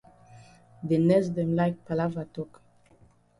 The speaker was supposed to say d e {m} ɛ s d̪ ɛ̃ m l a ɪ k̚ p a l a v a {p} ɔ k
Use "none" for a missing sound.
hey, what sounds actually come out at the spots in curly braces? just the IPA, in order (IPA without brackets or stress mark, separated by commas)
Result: n, t